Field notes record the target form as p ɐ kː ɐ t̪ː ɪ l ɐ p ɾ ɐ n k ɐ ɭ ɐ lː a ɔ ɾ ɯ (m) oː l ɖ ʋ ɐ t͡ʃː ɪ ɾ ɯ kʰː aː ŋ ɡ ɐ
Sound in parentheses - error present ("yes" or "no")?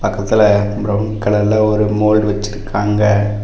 no